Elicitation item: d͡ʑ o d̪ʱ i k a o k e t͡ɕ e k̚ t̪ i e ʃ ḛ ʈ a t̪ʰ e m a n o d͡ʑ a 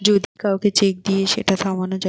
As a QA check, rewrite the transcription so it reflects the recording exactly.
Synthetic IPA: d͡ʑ o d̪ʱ i k a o k e t͡ɕ e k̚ d̪ i e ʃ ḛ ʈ a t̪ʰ a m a n o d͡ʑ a